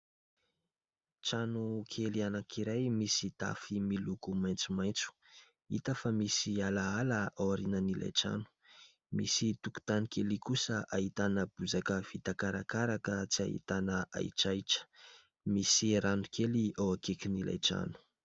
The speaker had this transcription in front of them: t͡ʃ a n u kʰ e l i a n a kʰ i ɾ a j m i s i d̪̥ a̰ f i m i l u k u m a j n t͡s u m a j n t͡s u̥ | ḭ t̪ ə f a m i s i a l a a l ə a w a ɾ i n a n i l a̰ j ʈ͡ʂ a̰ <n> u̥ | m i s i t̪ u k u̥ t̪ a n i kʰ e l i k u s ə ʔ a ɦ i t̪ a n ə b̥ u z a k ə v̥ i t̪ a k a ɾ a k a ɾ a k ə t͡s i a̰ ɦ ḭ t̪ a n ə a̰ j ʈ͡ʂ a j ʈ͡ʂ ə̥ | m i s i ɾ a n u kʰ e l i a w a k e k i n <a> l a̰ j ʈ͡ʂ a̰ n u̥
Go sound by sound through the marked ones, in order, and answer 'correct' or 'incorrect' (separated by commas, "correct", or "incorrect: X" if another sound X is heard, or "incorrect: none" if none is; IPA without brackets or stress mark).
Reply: correct, incorrect: i